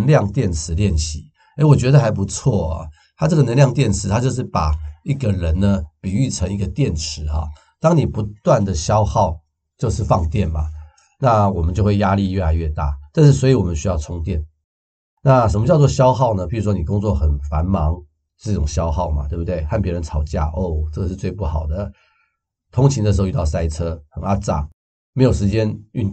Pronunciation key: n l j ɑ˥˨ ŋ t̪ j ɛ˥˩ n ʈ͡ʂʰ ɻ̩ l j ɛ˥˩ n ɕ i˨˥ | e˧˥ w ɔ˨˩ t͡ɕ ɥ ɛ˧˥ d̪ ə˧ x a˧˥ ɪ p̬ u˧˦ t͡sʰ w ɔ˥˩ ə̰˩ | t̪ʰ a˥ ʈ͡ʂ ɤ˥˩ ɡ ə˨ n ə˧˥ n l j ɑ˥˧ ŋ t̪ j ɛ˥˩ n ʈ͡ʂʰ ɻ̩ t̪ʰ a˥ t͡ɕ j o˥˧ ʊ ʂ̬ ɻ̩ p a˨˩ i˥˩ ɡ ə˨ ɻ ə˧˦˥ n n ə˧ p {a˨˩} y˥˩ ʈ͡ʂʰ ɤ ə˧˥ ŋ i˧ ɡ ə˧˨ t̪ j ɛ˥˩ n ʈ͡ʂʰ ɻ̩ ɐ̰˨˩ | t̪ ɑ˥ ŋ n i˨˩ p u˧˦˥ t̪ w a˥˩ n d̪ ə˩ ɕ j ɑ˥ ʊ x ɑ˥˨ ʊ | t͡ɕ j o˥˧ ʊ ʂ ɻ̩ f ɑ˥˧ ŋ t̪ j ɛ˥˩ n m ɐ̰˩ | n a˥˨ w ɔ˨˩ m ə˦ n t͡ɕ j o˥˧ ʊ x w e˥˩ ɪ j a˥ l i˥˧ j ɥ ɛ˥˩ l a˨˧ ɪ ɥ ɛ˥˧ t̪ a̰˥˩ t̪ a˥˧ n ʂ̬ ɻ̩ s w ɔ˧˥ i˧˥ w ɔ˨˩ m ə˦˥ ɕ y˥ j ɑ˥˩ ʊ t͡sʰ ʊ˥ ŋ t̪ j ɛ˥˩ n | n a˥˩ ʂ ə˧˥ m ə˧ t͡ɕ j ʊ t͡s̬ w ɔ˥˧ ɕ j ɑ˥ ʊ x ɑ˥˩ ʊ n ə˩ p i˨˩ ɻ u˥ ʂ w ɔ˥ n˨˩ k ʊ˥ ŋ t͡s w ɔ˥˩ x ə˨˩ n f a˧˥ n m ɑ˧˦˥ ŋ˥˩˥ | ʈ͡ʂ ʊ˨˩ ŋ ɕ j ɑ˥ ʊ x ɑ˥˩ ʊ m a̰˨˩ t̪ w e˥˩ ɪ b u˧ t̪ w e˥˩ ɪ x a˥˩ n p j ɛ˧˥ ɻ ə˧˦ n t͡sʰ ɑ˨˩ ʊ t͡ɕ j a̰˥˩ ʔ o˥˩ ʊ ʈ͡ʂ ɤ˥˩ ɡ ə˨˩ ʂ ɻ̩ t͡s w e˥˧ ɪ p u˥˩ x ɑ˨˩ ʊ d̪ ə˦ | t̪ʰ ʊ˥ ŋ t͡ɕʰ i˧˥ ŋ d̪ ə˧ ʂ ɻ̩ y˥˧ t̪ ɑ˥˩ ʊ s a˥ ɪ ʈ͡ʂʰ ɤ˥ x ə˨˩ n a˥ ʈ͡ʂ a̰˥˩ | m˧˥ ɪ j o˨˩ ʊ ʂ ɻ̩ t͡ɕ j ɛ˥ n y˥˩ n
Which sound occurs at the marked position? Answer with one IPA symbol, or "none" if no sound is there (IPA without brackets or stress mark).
i˨˩